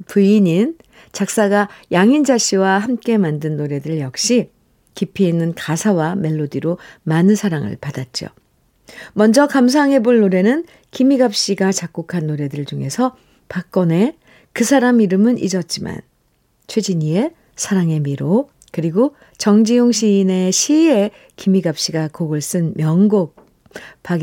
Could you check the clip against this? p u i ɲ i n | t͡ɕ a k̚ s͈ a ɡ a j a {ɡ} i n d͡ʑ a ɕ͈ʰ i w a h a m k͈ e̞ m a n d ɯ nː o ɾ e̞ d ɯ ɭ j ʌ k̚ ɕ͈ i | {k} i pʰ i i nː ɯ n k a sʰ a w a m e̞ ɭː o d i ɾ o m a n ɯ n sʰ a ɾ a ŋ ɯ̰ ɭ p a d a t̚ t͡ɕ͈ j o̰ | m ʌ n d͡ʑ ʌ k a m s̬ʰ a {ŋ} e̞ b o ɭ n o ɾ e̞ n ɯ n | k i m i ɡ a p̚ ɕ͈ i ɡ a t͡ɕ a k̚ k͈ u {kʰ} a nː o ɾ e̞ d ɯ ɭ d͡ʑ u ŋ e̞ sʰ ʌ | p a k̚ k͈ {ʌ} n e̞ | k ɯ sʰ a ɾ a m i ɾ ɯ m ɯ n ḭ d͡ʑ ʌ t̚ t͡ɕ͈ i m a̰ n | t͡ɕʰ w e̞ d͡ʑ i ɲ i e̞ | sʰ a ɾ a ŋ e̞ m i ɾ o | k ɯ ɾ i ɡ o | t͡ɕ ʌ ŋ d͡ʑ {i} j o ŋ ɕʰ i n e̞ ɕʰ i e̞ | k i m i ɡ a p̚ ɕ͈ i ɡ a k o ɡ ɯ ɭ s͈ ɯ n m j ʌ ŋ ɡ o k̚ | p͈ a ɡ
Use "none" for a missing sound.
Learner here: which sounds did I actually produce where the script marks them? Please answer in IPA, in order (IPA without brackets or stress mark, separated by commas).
ŋ, k, ŋ, kʰ, ʌ, i